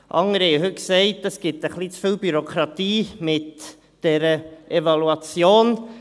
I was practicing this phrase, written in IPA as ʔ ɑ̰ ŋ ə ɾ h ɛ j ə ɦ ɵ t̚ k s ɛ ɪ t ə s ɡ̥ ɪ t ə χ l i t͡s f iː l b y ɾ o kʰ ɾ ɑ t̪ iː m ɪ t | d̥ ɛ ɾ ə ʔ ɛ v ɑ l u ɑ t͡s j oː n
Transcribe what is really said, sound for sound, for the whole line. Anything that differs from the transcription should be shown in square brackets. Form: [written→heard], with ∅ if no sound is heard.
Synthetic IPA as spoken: ʔ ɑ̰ ŋ ə ɾ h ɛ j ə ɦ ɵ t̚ k s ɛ ɪ t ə s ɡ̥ ɪ t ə χ l i t͡s f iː l b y ɾ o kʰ ɾ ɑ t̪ iː m ɪ t | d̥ ɛ ɾ ə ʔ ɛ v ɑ l u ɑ t͡s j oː n